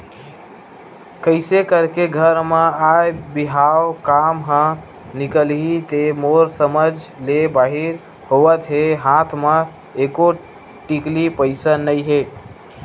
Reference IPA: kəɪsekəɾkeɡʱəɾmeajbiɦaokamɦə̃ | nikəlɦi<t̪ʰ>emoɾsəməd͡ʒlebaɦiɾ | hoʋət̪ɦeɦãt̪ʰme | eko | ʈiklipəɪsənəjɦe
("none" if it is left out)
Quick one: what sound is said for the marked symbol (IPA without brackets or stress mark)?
t̪